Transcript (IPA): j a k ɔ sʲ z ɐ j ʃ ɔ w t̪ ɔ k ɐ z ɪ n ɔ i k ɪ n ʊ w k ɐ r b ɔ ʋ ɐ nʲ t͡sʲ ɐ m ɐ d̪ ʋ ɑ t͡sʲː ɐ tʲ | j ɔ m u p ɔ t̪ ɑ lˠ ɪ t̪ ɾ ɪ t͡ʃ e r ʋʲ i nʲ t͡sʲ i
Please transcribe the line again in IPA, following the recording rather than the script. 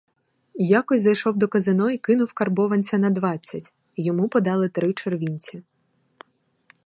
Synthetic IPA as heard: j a k ɔ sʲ z ɐ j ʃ ɔ w d̪ ɔ k ɐ z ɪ n ɔ i k ɪ n ʊ w k ɐ r b ɔ ʋ ɐ nʲ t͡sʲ ɐ n ɐ d̪ ʋ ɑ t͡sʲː ɐ tʲ | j ɔ m u p ɔ d̪ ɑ lˠ ɪ t̪ ɾ ɪ t͡ʃ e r ʋʲ i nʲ t͡sʲ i